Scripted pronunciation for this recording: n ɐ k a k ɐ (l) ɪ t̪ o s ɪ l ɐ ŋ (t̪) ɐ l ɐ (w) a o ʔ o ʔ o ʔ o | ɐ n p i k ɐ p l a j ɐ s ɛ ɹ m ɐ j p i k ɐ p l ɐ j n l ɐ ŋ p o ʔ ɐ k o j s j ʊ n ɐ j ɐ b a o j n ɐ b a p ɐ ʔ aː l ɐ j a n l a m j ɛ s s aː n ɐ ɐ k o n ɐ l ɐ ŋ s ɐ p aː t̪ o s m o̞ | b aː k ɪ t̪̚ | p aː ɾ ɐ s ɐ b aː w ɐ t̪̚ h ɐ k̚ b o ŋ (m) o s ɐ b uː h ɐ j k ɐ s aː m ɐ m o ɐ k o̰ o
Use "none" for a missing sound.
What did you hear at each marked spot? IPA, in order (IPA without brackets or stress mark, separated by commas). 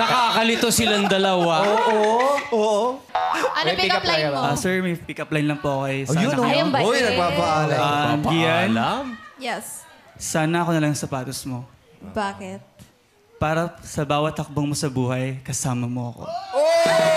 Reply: l, d̪, w, m